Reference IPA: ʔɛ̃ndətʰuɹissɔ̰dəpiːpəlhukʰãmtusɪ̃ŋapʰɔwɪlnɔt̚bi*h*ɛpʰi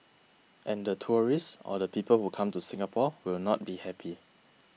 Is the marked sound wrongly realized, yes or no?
no